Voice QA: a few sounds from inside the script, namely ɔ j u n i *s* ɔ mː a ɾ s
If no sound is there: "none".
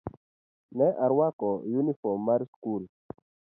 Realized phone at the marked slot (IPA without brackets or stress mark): f